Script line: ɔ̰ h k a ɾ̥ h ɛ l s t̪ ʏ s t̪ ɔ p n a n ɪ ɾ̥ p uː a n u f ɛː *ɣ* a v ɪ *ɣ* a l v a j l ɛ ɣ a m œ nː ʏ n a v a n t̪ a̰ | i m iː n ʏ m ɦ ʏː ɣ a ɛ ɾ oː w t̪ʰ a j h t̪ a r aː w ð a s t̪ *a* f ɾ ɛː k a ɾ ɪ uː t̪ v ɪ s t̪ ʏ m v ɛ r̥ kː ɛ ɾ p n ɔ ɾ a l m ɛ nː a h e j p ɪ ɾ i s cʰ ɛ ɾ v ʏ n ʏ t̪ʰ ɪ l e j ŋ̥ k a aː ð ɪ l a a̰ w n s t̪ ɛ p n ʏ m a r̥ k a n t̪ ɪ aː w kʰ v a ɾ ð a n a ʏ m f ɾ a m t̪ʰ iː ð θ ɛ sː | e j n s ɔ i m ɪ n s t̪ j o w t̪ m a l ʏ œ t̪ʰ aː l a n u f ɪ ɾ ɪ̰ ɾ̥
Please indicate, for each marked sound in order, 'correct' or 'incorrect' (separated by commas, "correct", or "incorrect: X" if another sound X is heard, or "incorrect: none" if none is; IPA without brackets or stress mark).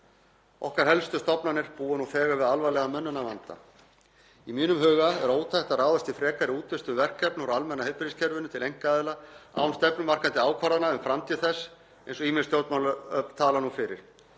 correct, incorrect: ð, incorrect: i